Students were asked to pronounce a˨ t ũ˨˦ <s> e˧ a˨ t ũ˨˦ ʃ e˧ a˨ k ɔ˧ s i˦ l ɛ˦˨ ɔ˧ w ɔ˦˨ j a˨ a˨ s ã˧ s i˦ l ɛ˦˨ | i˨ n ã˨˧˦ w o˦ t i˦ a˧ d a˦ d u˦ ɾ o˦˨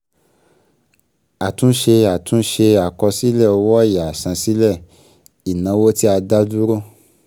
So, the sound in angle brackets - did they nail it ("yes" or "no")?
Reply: no